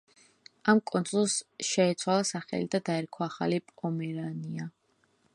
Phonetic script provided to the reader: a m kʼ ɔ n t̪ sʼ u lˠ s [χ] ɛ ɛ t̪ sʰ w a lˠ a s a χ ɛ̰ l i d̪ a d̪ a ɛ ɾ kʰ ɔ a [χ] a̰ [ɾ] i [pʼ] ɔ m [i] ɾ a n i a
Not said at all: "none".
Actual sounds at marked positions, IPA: ʃ, χ, l, pʼ, ɛ

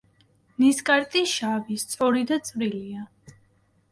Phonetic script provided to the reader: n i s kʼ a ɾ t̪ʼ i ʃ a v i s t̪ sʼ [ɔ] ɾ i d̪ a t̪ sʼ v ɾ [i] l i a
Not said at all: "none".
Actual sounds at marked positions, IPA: ɔ, i

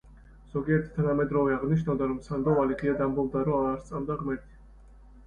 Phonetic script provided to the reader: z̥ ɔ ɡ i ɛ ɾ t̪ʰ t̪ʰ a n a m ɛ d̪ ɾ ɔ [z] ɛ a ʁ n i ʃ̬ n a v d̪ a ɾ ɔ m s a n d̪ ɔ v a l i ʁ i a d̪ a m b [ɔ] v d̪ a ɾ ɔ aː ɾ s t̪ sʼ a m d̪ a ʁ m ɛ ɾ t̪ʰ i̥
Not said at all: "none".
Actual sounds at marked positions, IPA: v, ɔ

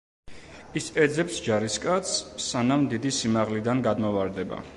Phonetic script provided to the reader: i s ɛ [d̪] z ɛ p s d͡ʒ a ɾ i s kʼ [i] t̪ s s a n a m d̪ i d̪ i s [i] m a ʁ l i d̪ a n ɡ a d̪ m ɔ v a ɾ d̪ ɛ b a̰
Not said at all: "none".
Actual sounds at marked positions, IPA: d̪, a, i

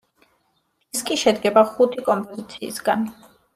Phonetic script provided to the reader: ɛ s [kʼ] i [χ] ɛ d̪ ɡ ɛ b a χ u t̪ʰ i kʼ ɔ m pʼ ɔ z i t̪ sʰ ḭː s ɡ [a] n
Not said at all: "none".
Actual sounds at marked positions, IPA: kʼ, ʃ, a

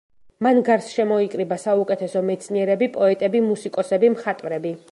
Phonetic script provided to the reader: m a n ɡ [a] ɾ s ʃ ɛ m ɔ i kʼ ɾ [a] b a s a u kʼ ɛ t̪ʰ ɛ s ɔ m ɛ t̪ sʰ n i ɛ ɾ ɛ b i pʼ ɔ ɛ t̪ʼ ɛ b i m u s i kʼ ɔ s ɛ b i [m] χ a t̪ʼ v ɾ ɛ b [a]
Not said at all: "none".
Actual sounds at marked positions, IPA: a, i, m, i

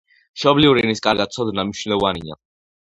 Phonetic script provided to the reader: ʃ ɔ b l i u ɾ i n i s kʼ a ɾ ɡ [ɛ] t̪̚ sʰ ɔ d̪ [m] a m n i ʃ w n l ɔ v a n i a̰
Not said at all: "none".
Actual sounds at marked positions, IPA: a, n

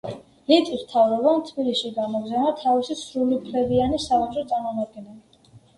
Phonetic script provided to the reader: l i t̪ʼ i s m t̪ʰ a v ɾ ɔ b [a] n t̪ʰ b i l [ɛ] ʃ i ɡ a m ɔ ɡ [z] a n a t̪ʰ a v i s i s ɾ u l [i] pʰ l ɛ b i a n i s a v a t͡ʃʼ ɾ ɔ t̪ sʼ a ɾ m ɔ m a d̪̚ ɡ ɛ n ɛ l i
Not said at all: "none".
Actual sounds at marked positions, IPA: a, i, z, i

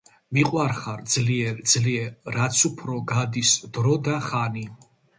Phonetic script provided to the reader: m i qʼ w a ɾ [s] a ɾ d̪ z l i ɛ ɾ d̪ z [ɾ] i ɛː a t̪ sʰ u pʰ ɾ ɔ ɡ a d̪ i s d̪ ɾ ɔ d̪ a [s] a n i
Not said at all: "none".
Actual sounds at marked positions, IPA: χ, l, χ

